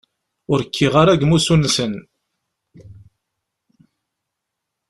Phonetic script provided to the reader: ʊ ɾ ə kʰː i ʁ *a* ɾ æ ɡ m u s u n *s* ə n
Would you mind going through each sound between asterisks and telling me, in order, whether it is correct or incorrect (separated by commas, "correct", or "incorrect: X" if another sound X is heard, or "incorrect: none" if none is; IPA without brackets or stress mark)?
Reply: correct, correct